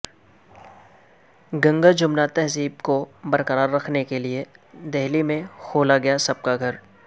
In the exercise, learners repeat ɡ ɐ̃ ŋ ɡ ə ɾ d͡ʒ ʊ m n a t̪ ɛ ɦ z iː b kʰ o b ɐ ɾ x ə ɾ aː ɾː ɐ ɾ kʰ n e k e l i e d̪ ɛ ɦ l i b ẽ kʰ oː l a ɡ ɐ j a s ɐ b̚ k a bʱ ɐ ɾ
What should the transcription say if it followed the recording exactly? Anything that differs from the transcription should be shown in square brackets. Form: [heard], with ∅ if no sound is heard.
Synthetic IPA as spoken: ɡ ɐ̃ ŋ ɡ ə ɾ d͡ʒ ʊ m n a t̪ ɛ ɦ z iː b [k] o b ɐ ɾ [k] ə ɾ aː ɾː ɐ [∅] kʰ n e k e l i e d̪ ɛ ɦ l i [m] ẽ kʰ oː l a ɡ ɐ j a s ɐ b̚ k a [ɡʱ] ɐ ɾ